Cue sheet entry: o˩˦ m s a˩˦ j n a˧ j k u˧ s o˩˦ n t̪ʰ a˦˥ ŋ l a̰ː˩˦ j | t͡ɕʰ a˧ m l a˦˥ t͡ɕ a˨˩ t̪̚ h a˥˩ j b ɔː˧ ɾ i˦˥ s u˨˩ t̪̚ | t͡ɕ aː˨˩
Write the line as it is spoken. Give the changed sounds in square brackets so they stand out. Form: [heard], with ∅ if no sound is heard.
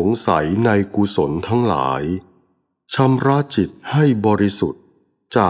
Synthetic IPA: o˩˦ [ŋ] s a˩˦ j n a˧ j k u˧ s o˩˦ n t̪ʰ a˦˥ ŋ l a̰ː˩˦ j | t͡ɕʰ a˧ m [ɾ] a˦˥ t͡ɕ [i˨˩] t̪̚ h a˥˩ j b ɔː˧ ɾ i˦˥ s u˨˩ t̪̚ | t͡ɕ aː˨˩